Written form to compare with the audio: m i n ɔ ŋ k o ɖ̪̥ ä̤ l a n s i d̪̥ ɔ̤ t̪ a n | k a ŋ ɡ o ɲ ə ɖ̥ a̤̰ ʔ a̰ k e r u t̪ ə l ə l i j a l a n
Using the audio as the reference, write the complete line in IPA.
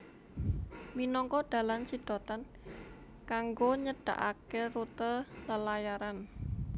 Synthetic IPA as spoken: m i n ɔ ŋ k ɔ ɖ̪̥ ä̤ l a n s i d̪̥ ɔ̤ t̪ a n | k a ŋ ɡ o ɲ ə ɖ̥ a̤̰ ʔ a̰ k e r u t̪ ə l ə l a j a ɾ a n